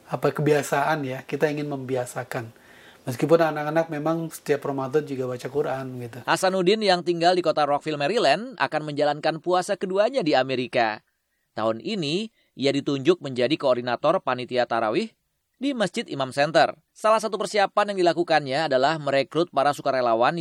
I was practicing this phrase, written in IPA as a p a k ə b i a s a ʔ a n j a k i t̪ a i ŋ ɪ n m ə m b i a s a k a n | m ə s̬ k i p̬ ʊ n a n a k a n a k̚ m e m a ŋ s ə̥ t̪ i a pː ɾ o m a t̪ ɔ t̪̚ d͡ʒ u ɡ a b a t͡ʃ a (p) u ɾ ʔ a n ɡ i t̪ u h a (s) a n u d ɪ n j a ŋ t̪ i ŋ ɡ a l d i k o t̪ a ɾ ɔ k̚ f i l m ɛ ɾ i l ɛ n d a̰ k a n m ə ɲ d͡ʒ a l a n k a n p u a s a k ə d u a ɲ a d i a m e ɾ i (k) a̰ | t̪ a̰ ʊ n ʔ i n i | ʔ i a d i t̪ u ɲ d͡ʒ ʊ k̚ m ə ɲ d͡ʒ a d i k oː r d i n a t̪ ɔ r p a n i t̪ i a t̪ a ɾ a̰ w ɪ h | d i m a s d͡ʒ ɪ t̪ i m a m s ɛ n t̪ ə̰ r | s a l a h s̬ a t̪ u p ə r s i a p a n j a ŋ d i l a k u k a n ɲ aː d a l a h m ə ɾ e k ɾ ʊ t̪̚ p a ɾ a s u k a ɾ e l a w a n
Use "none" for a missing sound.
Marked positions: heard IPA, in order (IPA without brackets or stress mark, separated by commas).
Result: k, s, k